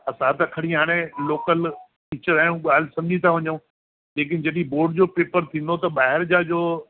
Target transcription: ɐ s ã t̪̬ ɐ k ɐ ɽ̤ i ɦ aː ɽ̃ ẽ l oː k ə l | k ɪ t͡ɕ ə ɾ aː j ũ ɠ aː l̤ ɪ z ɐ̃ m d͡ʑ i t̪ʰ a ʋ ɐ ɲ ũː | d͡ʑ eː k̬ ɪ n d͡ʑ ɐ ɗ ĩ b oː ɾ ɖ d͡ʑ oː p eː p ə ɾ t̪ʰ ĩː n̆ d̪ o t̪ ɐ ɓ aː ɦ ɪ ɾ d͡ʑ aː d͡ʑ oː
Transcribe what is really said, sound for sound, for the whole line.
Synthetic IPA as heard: ɐ s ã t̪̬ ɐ kʰ ɐ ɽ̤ i ɦ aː ɽ̃ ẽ l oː k ə l | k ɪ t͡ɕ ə ɾ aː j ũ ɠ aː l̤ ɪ s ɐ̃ m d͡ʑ i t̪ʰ a ʋ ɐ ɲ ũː | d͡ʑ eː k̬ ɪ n d͡ʑ ɐ ɗ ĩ b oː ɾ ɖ d͡ʑ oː p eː p ə ɾ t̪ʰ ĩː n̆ d̪ o t̪ ɐ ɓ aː ɦ ɪ ɾ d͡ʑ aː d͡ʑ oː